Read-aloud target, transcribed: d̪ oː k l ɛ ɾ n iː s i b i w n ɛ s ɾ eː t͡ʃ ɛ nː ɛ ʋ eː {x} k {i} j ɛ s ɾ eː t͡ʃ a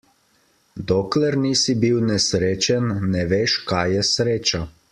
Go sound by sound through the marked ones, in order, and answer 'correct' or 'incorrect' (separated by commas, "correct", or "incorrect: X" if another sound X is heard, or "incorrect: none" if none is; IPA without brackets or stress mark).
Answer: incorrect: ʃ, incorrect: a